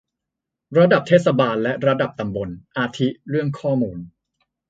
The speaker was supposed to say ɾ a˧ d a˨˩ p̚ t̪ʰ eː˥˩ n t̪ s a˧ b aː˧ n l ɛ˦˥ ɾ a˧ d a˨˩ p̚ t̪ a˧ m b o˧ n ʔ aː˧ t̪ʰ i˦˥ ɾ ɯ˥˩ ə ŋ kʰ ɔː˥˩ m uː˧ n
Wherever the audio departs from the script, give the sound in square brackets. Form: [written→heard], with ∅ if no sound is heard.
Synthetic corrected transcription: ɾ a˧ d a˨˩ p̚ t̪ʰ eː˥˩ [n→∅] t̪ s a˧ b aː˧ n l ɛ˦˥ ɾ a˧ d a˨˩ p̚ t̪ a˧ m b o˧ n ʔ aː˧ t̪ʰ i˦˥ ɾ ɯ˥˩ ə ŋ kʰ ɔː˥˩ m uː˧ n